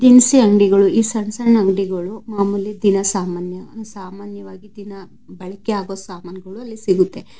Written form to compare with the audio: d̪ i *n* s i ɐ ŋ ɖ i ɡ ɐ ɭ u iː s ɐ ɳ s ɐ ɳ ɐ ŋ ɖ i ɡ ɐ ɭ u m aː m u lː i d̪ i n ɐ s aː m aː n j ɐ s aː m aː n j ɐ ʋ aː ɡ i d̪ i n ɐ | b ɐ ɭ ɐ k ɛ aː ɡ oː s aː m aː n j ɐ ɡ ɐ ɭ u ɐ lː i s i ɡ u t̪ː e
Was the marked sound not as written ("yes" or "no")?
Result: no